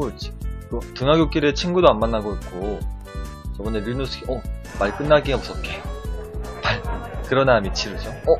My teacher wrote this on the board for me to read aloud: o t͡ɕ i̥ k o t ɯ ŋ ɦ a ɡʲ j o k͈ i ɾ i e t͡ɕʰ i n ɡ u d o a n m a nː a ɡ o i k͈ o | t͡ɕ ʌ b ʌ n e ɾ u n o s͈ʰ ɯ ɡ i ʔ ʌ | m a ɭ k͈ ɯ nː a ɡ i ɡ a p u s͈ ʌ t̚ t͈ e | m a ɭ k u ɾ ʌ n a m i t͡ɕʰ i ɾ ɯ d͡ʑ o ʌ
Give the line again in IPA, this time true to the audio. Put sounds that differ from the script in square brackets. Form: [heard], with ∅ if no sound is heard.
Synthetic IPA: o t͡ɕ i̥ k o t ɯ ŋ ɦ a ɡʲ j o k͈ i ɾ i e t͡ɕʰ i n ɡ u d o a n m a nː a ɡ o i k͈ o | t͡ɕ ʌ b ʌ n e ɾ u n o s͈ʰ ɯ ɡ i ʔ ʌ | m a ɭ k͈ ɯ nː a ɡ i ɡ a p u s͈ ʌ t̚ [k͈] e | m a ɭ k [ɯ] ɾ ʌ n a m i t͡ɕʰ i ɾ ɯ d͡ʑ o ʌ